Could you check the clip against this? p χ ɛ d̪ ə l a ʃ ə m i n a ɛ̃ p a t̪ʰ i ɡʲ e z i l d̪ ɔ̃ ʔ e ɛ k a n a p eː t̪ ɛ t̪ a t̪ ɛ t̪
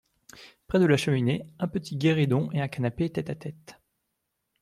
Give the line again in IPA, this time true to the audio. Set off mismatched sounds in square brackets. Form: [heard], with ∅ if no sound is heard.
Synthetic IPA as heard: p χ ɛ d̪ ə l a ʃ ə m i n [e] ɛ̃ p [ə] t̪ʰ i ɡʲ e [ʁ] i [∅] d̪ ɔ̃ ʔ e [ɛ̃] k a n a p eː t̪ ɛ t̪ a t̪ ɛ t̪